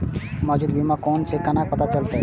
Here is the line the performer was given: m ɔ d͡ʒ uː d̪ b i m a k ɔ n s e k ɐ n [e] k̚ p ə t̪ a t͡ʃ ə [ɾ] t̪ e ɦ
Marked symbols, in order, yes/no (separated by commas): no, no